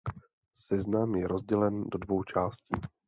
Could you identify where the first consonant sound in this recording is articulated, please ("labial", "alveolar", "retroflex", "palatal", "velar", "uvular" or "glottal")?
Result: alveolar